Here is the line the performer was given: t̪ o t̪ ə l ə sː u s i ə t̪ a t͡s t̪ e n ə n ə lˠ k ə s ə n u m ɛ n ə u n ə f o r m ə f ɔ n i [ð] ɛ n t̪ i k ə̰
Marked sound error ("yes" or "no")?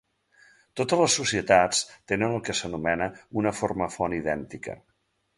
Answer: no